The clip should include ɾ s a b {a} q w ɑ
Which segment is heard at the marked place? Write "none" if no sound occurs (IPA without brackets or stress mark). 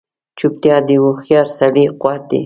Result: i